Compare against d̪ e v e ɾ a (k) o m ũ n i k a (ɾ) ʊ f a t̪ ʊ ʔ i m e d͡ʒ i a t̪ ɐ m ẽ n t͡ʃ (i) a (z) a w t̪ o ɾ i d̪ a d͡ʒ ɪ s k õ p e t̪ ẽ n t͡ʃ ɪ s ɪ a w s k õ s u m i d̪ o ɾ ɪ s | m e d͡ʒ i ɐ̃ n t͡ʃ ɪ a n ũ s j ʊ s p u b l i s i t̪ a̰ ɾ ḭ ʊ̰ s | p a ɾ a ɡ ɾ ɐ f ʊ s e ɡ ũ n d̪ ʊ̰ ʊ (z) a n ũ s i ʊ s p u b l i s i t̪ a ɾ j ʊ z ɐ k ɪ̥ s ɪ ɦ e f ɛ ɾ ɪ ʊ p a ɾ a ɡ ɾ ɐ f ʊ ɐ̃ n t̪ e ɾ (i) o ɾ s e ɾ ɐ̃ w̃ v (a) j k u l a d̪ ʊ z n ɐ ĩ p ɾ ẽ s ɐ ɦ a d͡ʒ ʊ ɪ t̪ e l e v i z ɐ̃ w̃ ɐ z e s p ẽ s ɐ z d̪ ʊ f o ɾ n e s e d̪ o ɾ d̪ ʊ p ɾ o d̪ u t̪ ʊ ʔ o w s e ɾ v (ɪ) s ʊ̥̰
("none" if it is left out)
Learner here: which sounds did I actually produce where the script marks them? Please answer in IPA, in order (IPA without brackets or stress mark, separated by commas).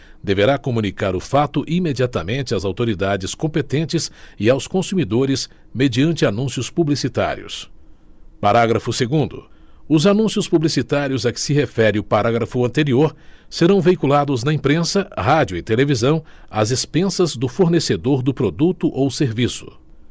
k, ɾ, ɪ, z, z, i, e, i